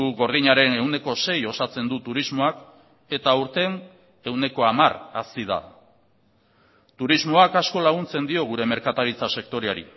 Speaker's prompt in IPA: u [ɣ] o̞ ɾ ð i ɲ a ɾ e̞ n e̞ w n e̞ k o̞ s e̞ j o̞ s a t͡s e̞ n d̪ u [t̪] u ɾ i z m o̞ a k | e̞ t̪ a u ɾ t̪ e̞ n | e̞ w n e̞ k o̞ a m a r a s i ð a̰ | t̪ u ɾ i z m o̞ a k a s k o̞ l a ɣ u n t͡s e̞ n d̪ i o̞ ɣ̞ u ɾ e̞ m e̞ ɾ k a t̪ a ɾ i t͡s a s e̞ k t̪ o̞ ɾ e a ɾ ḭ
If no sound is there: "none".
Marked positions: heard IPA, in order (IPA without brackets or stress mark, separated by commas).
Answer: ɣ, t̪